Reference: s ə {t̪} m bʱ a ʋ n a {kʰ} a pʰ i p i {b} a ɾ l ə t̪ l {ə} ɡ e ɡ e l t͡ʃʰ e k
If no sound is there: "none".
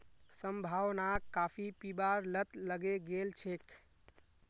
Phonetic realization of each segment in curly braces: none, k, b, ə

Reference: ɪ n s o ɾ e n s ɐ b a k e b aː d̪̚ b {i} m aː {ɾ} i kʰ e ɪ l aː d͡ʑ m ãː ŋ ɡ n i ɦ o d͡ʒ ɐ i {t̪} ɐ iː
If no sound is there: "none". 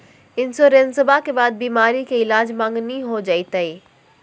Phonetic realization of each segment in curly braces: iː, ɾ, t̪

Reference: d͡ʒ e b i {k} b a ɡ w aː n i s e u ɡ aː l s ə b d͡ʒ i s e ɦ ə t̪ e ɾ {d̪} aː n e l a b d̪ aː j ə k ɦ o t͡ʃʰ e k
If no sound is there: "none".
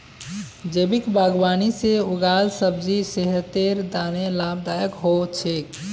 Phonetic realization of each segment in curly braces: k, d̪

